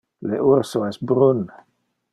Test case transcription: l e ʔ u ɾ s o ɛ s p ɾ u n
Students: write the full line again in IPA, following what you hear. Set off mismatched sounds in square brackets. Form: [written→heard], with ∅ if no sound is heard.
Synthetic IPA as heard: l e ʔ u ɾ s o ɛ s [p→b] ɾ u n